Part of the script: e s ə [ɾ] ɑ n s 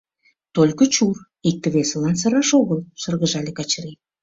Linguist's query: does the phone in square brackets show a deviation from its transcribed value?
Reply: yes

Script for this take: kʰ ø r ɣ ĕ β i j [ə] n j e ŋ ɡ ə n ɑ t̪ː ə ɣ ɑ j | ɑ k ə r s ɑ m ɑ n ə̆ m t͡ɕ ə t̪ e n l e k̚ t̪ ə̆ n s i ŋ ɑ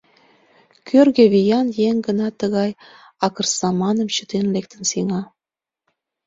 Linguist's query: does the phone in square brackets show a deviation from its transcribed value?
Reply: yes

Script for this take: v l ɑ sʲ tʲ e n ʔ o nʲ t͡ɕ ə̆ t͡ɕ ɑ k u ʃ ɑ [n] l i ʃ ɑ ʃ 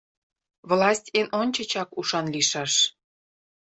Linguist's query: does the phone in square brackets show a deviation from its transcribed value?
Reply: no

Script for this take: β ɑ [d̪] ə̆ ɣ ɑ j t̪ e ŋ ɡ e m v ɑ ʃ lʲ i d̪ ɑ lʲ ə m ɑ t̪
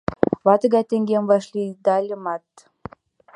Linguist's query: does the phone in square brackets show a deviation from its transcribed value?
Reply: yes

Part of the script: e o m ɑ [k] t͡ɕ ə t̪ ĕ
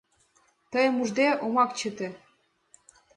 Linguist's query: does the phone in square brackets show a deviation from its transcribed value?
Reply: no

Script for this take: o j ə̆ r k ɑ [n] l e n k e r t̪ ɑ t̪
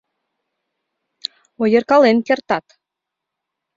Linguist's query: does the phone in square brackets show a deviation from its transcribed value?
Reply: yes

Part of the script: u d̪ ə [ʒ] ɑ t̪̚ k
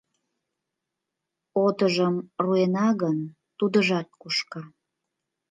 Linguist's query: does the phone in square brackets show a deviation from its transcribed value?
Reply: no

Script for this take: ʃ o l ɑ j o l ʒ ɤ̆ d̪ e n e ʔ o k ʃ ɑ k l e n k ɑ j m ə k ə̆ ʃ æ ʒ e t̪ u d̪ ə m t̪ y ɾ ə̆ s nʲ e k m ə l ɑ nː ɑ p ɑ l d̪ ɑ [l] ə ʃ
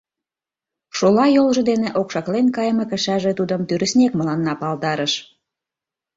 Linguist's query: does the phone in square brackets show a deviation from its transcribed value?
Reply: yes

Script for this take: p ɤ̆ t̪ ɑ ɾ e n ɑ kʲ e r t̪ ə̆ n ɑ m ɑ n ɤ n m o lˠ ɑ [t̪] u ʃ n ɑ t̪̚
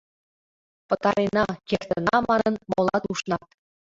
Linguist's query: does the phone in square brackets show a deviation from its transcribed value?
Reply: no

